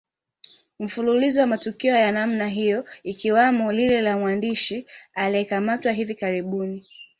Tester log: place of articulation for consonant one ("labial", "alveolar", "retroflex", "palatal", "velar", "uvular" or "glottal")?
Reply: labial